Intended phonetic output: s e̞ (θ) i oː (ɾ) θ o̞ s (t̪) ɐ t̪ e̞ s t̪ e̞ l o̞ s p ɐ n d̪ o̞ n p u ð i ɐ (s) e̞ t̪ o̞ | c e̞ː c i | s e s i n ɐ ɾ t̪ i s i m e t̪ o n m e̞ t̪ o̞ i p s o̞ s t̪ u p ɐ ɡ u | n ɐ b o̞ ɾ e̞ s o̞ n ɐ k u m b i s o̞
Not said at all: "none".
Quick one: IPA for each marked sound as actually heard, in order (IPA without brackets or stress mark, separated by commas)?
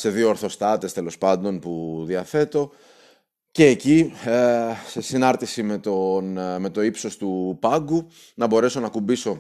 ð, ɾ, t̪, θ